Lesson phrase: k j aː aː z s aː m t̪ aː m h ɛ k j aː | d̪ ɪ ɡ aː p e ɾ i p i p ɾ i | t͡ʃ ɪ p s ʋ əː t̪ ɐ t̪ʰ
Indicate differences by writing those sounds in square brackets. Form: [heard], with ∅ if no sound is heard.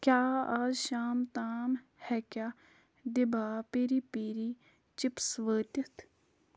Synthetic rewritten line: k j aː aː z [ʃ] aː m t̪ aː m h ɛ k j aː | d̪ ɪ [b] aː p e ɾ i p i [∅] ɾ i | t͡ʃ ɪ p s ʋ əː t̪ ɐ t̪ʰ